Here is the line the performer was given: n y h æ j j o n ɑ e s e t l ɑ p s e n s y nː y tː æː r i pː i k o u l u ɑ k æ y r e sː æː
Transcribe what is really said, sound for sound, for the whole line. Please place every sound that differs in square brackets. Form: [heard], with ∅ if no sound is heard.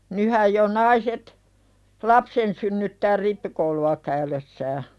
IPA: n y h æ j j o n ɑ [i] s e t l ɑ p s e n s y nː y tː æː r i pː i k o u l u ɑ k æ y [l] e sː æː